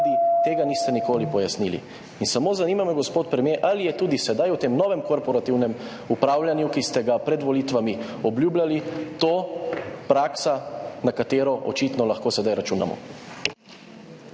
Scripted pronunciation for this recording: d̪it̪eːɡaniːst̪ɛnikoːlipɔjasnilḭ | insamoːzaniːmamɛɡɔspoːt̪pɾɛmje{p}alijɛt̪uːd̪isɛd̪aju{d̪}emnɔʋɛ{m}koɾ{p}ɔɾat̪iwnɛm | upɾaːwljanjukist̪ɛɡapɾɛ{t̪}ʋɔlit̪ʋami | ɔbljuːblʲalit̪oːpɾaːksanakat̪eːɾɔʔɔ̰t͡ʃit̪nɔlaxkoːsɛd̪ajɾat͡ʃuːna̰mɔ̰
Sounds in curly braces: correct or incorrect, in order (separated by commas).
incorrect, incorrect, correct, correct, incorrect